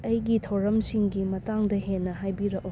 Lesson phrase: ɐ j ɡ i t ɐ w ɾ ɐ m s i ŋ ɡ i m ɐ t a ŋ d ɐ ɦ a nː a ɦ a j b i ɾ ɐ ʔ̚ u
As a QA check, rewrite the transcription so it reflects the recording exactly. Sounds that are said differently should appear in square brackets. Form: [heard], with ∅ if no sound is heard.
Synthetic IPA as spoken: ɐ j ɡ i [tʰ] ɐ w ɾ ɐ m s i ŋ ɡ i m ɐ t a ŋ d ɐ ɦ [e] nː [ɐ] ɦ a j b i ɾ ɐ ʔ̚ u